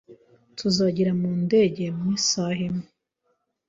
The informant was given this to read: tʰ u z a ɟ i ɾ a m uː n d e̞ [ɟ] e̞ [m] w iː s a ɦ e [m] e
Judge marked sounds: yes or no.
yes, yes, yes

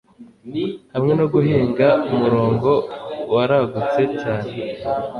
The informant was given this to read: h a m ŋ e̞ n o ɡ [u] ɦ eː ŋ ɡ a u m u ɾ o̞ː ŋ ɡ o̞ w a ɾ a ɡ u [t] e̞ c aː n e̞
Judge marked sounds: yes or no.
yes, no

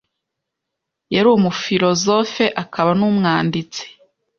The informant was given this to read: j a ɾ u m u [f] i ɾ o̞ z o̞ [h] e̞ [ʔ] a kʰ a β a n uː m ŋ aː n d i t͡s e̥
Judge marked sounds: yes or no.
yes, no, yes

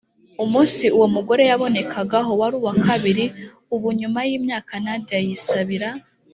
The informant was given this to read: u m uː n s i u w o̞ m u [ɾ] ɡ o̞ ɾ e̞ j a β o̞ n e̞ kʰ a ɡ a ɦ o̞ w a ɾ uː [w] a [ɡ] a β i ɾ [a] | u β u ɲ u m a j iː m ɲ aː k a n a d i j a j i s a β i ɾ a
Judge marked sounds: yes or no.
no, yes, no, no

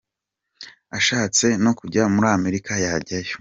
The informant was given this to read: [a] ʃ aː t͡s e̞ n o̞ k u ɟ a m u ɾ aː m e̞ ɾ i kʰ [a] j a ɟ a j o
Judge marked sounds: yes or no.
yes, yes

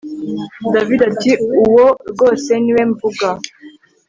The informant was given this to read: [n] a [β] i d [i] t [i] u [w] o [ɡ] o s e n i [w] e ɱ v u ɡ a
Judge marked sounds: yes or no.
no, no, no, yes, yes, yes, yes

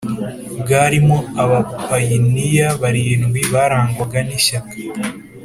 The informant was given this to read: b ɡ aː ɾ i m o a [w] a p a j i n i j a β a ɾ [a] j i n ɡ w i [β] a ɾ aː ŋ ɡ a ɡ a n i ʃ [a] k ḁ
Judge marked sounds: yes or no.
no, no, yes, yes

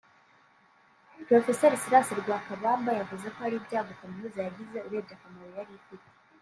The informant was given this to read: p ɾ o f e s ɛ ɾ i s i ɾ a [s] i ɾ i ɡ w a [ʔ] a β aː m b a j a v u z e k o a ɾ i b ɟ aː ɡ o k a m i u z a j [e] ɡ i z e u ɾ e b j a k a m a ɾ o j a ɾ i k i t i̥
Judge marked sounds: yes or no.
yes, no, no

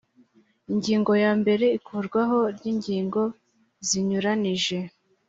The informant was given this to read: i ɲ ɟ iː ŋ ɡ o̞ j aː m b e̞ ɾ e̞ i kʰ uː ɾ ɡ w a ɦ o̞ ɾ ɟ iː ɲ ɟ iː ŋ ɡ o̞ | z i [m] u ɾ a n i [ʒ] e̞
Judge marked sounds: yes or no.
no, yes

